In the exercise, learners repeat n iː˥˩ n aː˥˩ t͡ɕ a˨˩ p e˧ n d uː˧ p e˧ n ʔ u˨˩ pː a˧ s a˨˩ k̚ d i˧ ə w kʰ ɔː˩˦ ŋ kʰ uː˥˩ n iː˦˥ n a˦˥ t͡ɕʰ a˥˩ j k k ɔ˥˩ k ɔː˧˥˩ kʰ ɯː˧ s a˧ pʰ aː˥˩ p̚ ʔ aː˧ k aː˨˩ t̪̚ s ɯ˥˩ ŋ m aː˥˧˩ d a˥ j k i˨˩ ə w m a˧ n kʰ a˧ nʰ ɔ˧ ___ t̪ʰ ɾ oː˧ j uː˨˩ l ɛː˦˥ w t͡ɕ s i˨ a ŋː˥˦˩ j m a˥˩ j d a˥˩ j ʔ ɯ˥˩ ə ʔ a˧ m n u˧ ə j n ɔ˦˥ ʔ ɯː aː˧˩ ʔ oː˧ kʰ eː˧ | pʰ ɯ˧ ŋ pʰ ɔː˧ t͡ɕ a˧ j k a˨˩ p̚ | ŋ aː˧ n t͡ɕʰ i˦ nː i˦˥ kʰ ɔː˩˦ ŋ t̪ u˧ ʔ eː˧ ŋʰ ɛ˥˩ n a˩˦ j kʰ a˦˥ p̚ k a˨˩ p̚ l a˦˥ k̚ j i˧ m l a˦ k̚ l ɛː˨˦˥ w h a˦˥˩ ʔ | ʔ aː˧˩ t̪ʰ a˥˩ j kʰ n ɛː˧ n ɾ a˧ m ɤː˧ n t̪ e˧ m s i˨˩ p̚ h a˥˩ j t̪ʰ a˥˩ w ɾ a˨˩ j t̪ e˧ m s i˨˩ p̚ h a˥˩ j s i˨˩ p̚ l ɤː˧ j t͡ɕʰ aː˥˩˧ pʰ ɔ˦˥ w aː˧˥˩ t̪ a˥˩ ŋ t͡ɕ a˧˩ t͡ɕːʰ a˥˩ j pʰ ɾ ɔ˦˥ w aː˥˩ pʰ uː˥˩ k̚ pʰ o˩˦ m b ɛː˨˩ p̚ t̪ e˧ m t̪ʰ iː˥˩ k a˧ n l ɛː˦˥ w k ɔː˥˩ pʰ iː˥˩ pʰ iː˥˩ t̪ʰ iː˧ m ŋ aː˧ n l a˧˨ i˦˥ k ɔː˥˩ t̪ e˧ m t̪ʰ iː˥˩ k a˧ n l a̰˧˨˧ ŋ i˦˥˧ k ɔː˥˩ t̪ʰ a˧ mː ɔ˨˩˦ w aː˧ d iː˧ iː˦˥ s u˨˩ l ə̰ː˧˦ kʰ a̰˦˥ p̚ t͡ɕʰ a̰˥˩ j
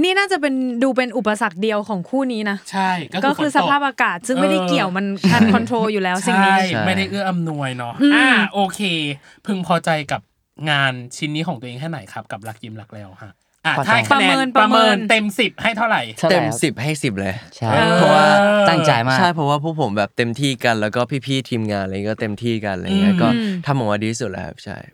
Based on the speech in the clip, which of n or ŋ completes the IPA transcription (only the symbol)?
n